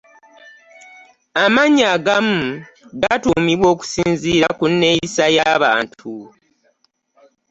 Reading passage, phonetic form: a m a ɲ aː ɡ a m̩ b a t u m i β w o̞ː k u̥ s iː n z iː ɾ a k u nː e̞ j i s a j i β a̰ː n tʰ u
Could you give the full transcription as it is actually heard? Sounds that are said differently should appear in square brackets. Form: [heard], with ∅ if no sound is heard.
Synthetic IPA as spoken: a m a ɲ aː ɡ a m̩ [ɡ] a t u m i β w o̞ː k u̥ s iː n z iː ɾ a k u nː e̞ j i s a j [a] β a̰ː n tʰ u